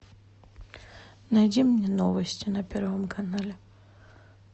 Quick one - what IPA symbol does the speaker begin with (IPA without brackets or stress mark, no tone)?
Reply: n